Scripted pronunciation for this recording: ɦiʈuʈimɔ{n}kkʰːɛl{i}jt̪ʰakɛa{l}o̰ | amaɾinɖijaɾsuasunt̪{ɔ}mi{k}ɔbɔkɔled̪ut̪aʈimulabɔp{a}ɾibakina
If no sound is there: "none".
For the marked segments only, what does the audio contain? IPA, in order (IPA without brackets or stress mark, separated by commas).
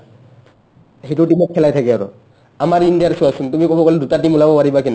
none, a, ɾ, u, k, a